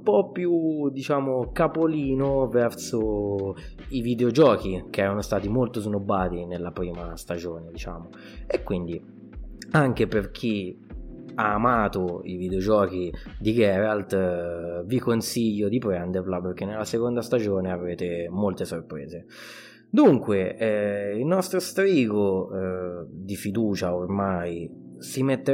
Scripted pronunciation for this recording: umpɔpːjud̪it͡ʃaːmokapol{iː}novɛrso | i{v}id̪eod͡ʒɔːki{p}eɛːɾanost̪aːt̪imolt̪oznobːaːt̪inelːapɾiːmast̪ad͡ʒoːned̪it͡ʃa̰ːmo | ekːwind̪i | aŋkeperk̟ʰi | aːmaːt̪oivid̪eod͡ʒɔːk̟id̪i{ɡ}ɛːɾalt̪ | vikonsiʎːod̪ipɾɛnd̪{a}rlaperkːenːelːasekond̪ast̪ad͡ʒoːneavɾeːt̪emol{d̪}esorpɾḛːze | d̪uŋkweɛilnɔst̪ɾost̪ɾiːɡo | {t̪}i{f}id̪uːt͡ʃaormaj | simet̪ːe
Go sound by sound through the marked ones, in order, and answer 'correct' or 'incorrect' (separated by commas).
correct, correct, incorrect, correct, incorrect, incorrect, incorrect, correct